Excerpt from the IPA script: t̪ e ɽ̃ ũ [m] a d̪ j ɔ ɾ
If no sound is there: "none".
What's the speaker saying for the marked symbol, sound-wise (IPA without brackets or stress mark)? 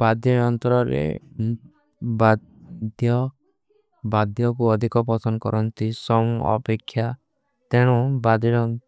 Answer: b